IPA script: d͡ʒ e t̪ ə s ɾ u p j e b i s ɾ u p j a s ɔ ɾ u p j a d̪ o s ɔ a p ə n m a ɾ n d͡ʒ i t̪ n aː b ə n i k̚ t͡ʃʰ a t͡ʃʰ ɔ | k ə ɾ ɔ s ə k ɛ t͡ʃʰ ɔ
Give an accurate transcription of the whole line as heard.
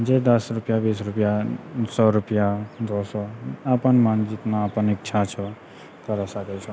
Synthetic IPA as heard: d͡ʒ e d̪ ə s ɾ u p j a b i s ɾ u p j a s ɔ ɾ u p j a d̪ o s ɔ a p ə n m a n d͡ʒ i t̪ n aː p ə n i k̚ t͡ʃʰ a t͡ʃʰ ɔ | k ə ɾ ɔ s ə k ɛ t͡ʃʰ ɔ

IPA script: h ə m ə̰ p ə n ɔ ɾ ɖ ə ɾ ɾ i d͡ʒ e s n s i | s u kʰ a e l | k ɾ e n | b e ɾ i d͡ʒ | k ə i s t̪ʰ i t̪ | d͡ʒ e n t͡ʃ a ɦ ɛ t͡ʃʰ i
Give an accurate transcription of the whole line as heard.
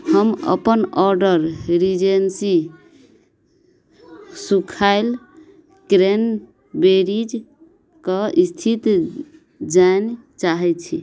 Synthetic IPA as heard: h ə m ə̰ p ə n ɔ ɾ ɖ ə ɾ ɾ i d͡ʒ e n s i | s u kʰ a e l | k ɾ e n | b e ɾ i d͡ʒ | k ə i s t̪ʰ i t̪ | d͡ʒ a n t͡ʃ a ɦ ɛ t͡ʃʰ i

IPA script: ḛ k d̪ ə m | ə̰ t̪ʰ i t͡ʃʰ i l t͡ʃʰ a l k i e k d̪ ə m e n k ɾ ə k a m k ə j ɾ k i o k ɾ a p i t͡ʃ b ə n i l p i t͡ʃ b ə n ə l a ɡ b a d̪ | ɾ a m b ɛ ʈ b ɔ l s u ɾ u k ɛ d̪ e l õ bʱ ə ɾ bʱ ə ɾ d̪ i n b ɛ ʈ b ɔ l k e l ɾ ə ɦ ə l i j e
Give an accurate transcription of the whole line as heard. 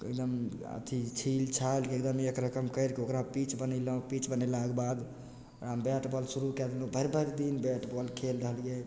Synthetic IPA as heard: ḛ k d̪ ə m | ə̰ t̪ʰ i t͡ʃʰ i l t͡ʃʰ a l k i e k d̪ ə m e k ɾ ə k ə m k ə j ɾ k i o k ɾ a p i t͡ʃ b ə n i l p i t͡ʃ b ə n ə l a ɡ b a d̪ | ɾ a m b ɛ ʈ b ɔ l s u ɾ u k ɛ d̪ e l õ bʱ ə ɾ bʱ ə ɾ d̪ i n b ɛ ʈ b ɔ l kʰ e l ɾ ə ɦ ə l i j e

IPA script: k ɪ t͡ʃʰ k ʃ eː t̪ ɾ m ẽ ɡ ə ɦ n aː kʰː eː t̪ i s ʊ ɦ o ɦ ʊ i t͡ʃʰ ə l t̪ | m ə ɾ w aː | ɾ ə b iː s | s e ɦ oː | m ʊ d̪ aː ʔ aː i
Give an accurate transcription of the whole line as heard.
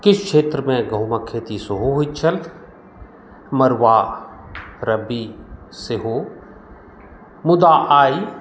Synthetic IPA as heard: k ɪ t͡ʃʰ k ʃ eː t̪ ɾ m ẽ ɡ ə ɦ m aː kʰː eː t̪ i s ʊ ɦ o ɦ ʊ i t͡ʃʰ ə l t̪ | m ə ɾ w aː | ɾ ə b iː | s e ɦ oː | m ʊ d̪ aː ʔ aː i

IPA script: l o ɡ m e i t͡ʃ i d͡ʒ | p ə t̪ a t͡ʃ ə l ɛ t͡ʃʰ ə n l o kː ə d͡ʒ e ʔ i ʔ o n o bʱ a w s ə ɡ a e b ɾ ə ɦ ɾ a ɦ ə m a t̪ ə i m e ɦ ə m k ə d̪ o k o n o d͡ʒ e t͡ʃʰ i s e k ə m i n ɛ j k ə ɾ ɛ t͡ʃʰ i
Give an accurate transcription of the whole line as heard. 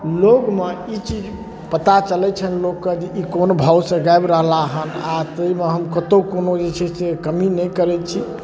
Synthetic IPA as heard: l o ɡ m e i t͡ʃ i d͡ʒ | p ə t̪ a t͡ʃ ə l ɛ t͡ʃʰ ə n l o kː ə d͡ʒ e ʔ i k o n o bʱ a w s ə ɡ a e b ɾ ə ɦ l a ɦ ə n a t̪ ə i m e ɦ ə m k ə t̪ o k o n o d͡ʒ e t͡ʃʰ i s e k ə m i n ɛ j k ə ɾ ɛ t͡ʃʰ i

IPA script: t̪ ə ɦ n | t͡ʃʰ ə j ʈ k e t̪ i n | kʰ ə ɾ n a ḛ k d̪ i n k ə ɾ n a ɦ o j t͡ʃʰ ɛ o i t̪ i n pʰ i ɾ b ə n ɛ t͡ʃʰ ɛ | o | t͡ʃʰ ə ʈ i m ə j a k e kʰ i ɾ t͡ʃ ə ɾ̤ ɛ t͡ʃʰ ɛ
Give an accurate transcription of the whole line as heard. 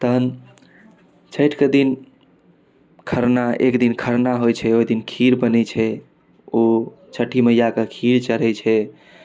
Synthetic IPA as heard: t̪ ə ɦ n | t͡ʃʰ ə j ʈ k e d̪ i n | kʰ ə ɾ n a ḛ k d̪ i n kʰ ə ɾ n a ɦ o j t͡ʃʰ ɛ o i d̪ i n kʰ i ɾ b ə n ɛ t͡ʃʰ ɛ | o | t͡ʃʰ ə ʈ i m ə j a k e kʰ i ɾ t͡ʃ ə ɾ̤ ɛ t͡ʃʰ ɛ

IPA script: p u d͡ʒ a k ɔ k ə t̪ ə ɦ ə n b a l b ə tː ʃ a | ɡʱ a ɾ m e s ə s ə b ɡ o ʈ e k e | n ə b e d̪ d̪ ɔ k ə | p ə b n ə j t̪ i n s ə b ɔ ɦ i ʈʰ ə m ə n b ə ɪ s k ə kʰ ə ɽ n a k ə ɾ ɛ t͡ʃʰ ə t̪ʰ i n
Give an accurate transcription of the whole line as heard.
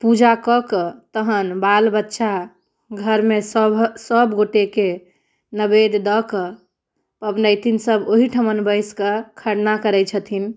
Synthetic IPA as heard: p u d͡ʒ a k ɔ k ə t̪ ə ɦ ə n b a l b ə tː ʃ a | ɡʱ ə ɾ m e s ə s ə b ɡ o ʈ e k e | n ə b e d̪ d̪ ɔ k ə | p ə b n ə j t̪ i n s ə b o ɦ i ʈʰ ə m ə n b ə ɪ s k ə kʰ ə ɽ n a k ə ɾ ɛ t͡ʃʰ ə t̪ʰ i n

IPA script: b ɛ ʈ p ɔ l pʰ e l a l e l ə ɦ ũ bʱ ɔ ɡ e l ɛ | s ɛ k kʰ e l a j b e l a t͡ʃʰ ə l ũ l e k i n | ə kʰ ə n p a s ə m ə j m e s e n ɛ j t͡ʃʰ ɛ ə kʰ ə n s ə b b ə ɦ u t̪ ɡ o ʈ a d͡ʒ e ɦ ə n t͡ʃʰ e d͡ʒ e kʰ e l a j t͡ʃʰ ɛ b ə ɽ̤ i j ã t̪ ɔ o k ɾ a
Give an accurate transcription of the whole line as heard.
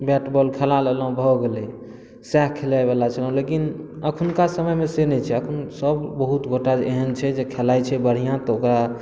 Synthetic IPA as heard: b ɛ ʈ b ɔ l kʰ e l a l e l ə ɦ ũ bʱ ɔ ɡ e l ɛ | s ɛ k kʰ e l a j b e l a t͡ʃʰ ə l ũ l e k i n | ə kʰ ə n k a s ə m ə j m e s e n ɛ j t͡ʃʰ ɛ ə kʰ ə n s ə b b ə ɦ u t̪ ɡ o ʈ a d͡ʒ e ɦ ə n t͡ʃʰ ɛ d͡ʒ e kʰ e l a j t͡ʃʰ ɛ b ə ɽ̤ i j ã t̪ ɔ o k ɾ a

